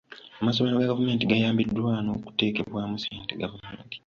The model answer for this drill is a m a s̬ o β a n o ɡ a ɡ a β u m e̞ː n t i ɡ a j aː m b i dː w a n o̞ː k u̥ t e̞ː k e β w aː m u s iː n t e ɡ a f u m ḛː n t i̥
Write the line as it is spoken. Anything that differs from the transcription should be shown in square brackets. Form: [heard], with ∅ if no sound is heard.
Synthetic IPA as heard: a m a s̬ o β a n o ɡ a ɡ a [v] u m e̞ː n t i ɡ a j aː m b i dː w a n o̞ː k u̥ t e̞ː k e β w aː m u s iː n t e ɡ a [v] u m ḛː n t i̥